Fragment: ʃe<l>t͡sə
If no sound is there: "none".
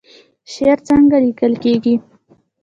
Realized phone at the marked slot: ɾ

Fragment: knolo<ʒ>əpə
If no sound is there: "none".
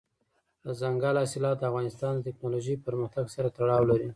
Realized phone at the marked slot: ʒ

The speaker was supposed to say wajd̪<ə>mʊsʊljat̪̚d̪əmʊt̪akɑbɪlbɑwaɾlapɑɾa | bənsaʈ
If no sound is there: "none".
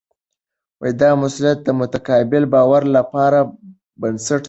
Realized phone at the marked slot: ɑ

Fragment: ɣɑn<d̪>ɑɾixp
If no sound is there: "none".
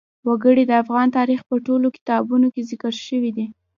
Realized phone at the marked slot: t̪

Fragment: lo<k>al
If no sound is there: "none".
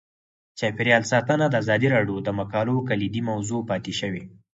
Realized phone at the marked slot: k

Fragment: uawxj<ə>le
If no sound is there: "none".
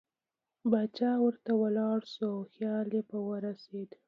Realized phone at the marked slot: ɑ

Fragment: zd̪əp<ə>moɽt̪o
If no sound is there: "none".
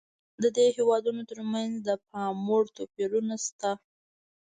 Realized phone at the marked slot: ɑ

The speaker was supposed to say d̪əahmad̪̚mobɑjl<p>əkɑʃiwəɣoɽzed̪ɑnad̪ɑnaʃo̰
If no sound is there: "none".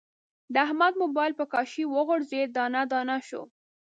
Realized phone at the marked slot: p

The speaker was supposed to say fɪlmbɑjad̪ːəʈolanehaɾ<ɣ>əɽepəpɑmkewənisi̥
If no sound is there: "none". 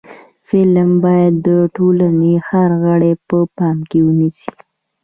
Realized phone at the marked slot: ɣ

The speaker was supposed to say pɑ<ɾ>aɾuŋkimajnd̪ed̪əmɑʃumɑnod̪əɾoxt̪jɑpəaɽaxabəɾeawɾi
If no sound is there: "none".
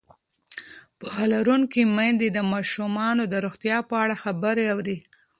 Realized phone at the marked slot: l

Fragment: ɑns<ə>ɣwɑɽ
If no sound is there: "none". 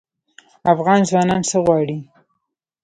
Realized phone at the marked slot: ə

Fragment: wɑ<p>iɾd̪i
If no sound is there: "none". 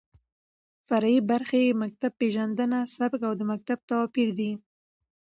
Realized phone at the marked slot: p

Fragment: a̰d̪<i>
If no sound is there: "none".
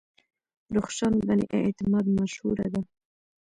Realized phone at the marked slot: a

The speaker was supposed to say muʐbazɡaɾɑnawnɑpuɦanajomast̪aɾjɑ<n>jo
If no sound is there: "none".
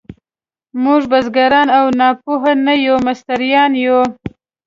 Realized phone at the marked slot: n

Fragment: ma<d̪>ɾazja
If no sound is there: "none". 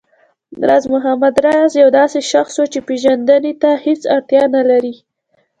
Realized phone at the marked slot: d̪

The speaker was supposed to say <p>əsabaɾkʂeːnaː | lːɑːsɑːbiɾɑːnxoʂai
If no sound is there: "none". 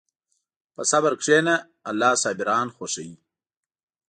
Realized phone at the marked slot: p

